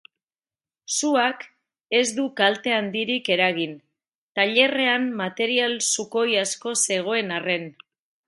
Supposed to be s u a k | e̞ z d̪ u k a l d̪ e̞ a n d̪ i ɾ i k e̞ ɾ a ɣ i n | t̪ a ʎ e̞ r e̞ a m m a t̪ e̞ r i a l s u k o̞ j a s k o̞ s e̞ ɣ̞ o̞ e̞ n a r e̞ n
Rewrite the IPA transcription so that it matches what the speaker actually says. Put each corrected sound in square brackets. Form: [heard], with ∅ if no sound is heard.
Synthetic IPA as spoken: s u a k | e̞ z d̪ u k a l [t̪] e̞ a n d̪ i ɾ i k e̞ ɾ a ɣ i n | t̪ a ʎ e̞ r e̞ a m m a t̪ e̞ [ɾ] i a l s u k o̞ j a s k o̞ s e̞ ɣ̞ o̞ e̞ n a r e̞ n